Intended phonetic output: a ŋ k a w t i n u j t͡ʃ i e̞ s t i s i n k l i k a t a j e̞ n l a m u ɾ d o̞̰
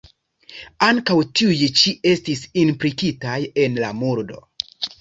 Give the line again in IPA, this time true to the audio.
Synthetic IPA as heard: a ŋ k a w t i u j t͡ʃ i e̞ s t i s i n p l i k i t a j e̞ n l a m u ɾ d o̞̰

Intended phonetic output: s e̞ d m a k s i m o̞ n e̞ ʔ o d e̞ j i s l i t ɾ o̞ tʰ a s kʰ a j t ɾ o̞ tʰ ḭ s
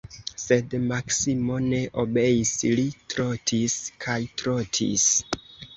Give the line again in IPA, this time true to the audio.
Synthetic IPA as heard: s e̞ d m a k s i m o̞ n e̞ ʔ o b e̞ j i s l i t ɾ o̞ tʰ i s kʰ a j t ɾ o̞ tʰ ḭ s

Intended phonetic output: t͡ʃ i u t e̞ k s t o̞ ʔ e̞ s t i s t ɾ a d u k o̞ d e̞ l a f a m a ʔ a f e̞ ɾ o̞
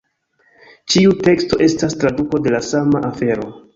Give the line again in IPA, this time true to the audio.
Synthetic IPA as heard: t͡ʃ i u t e̞ k s t o̞ ʔ e̞ s t a s t ɾ a d u k o̞ d e̞ l a s a m a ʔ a f e̞ ɾ o̞

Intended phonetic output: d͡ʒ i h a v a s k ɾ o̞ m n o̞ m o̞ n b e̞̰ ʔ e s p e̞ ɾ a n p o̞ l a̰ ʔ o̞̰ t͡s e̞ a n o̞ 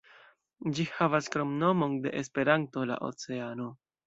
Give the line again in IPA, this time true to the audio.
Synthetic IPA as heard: d͡ʒ i h a v a s k ɾ o̞ m n o̞ m o̞ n d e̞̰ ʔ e s p e̞ ɾ a n t o̞ l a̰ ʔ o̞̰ t͡s e̞ a n o̞

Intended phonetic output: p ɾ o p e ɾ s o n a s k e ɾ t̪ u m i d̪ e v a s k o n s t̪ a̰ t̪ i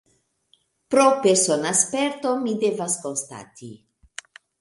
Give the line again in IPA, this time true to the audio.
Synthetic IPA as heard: p ɾ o p e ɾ s o n a s p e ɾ t̪ o m i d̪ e v a s k o n s t̪ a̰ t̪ i

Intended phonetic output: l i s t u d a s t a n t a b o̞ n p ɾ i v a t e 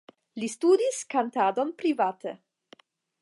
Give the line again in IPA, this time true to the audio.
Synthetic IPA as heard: l i s t u d i s k a n t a d o̞ n p ɾ i v a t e

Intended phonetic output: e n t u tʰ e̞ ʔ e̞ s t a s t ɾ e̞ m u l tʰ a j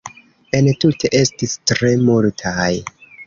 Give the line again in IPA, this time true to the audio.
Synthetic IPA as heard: e n t u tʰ e̞ ʔ e̞ s t i s t ɾ e̞ m u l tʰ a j

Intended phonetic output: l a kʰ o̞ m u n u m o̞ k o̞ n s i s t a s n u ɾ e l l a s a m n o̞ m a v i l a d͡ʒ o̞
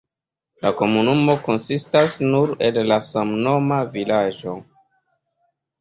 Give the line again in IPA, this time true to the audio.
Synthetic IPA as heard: l a k o̞ m u n u m o̞ k o̞ n s i s t a s n u ɾ e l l a s a m n o̞ m a v i l a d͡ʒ o̞

